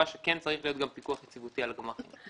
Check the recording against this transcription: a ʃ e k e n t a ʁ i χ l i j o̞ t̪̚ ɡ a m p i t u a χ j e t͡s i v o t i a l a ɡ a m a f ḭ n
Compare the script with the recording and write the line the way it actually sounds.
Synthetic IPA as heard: a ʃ e k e n t͡s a ʁ i χ l i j o̞ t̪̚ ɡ a m p i k u a χ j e t͡s i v u t i a l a ɡ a m a χ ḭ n